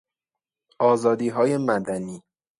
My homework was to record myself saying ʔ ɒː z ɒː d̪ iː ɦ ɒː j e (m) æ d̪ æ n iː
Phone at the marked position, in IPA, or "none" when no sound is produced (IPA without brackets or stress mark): m